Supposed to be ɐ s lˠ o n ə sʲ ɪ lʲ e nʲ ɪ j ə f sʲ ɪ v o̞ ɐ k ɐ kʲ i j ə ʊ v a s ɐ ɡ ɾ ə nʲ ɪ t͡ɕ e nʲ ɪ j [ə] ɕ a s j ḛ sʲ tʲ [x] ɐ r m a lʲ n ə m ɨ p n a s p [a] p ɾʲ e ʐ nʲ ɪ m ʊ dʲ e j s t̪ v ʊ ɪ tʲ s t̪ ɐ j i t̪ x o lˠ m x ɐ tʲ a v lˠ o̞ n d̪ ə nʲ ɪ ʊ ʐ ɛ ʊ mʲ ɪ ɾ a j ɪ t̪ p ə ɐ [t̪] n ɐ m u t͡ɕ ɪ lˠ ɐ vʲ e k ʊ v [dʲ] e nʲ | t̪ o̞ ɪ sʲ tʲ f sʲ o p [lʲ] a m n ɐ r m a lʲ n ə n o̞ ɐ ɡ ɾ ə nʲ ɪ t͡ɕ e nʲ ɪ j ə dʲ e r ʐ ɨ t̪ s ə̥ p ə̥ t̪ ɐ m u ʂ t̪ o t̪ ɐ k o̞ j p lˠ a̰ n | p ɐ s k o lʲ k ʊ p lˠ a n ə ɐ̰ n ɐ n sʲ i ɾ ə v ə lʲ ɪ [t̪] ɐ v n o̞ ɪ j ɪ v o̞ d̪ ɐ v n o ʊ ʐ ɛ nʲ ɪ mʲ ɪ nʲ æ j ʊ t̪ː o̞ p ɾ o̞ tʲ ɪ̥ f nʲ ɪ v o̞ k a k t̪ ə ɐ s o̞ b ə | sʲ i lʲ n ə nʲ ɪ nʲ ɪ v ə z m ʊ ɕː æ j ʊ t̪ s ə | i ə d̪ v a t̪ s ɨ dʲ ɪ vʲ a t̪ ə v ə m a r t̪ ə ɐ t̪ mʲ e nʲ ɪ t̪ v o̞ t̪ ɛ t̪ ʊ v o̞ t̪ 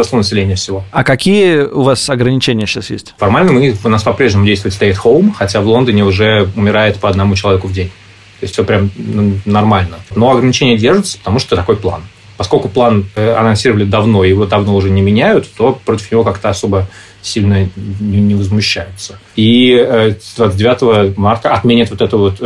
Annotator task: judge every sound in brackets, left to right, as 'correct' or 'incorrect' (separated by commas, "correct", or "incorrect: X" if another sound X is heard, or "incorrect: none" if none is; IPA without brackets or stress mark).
correct, incorrect: f, incorrect: ɐ, incorrect: d̪, correct, incorrect: ɾʲ, incorrect: d̪